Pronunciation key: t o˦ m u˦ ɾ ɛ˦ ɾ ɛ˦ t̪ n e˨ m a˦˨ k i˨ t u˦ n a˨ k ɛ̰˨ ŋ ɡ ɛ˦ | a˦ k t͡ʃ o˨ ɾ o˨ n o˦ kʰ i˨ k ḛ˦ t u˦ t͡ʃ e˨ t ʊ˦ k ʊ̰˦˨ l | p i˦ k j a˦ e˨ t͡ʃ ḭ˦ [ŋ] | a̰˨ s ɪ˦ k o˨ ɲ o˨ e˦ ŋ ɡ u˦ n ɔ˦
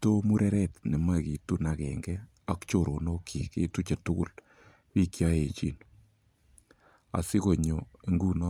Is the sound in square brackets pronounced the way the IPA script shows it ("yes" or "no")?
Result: no